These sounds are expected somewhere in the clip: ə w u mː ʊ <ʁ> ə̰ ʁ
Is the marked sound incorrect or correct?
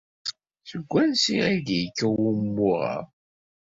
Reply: correct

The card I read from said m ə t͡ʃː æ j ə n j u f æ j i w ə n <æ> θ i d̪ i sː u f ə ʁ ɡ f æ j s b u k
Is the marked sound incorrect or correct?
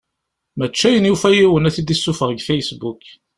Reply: correct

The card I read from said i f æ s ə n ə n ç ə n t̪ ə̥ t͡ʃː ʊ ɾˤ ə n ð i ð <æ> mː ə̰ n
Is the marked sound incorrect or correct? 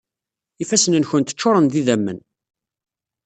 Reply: correct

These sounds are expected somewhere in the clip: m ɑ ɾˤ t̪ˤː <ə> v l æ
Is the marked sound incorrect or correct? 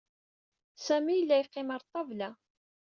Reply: incorrect: ɑ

